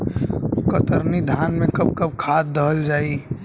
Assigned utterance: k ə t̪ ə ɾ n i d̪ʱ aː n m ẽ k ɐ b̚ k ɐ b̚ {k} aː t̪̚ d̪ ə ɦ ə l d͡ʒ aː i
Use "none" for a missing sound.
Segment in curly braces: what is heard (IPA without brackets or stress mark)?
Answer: kʰ